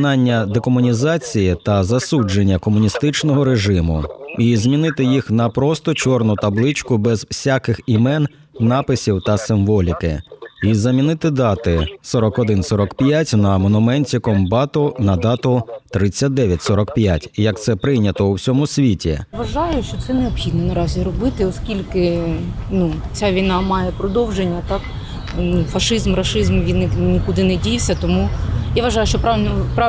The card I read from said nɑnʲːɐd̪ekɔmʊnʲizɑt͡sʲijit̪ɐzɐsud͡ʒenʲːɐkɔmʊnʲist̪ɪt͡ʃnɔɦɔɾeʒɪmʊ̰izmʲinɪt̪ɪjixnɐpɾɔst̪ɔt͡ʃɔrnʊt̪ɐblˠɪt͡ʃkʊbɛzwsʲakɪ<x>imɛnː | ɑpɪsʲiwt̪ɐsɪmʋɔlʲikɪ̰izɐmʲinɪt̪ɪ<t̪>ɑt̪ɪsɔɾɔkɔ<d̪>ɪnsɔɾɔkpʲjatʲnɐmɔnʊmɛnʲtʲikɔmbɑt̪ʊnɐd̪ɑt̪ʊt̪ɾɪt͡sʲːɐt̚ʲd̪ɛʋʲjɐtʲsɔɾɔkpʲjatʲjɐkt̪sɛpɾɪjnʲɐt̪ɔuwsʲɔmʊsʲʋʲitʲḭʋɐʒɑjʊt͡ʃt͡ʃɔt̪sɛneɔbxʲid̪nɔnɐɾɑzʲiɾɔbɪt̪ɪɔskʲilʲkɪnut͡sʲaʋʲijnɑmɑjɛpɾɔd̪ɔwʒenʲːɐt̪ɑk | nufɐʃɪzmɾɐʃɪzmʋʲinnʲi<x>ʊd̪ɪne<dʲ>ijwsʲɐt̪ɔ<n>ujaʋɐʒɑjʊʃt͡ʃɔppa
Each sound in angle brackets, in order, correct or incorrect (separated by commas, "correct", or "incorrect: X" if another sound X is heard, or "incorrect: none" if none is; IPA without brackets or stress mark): correct, incorrect: d̪, correct, incorrect: k, correct, incorrect: m